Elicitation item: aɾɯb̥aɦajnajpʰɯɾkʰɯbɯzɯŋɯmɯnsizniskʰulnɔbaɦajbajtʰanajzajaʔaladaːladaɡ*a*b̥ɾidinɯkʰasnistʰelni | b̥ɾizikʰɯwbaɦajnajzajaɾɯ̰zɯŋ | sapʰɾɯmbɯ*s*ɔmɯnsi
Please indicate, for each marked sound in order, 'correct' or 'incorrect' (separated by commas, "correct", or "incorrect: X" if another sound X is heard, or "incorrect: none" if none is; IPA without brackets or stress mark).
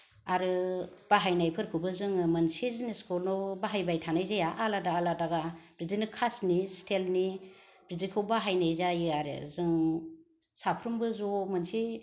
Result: correct, incorrect: z